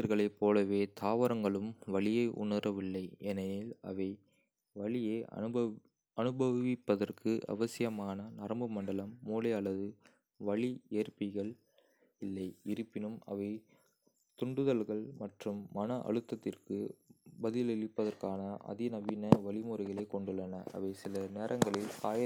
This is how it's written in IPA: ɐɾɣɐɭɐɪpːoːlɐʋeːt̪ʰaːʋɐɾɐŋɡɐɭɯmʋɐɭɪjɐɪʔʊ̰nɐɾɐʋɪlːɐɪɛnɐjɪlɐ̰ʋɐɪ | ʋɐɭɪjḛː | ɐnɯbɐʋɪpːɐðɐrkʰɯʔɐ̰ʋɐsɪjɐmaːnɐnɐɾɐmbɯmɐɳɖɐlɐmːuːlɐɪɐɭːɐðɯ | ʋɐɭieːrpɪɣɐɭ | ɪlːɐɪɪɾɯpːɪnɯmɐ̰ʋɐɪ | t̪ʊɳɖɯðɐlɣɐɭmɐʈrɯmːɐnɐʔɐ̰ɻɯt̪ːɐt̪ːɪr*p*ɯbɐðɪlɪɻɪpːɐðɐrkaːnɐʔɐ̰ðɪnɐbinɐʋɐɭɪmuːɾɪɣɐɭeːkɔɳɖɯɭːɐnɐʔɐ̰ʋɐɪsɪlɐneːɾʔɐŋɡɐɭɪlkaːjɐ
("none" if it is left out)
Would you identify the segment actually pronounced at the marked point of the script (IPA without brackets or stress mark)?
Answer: k